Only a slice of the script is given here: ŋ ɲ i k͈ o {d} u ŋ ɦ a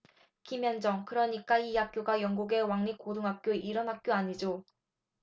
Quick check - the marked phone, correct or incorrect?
correct